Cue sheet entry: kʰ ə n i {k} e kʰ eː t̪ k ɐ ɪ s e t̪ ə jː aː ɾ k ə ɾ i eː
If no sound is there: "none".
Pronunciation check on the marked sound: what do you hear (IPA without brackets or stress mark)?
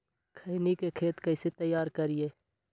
k